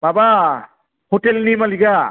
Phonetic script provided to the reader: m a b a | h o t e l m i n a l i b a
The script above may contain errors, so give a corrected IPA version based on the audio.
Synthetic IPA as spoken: b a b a | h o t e l n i m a l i ɡ a

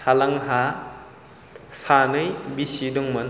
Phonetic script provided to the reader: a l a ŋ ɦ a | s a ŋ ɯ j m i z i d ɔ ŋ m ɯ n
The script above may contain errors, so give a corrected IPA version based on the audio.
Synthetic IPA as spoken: a l a ŋ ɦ a | s a n ɯ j b i s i d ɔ ŋ m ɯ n

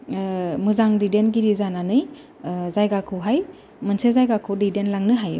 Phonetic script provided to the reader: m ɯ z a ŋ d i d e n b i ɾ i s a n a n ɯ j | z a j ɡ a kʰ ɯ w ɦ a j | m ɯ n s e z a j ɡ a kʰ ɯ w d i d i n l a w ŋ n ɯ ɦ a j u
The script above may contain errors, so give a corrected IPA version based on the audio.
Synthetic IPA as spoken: m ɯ z a ŋ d i d e n ɡ i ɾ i z a n a n ɯ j | z a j ɡ a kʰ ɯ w ɦ a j | m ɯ n s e z a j ɡ a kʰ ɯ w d i d e n l a ŋ n ɯ ɦ a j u

